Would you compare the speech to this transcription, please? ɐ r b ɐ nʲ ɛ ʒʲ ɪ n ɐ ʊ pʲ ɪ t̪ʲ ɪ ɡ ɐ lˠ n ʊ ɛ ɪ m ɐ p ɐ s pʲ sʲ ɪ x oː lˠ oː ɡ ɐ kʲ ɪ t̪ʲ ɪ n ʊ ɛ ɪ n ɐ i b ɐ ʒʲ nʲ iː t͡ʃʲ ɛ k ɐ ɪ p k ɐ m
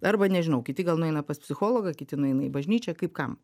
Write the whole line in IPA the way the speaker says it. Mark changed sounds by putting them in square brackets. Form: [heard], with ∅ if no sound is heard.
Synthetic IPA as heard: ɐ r b ɐ nʲ ɛ ʒʲ ɪ n ɐ ʊ [kʲ] ɪ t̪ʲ ɪ ɡ ɐ lˠ n ʊ ɛ ɪ [n] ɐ p ɐ s pʲ sʲ ɪ x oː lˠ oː ɡ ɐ kʲ ɪ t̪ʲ ɪ n ʊ ɛ ɪ n ɐ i b ɐ ʒʲ nʲ iː t͡ʃʲ ɛ k ɐ ɪ p k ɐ m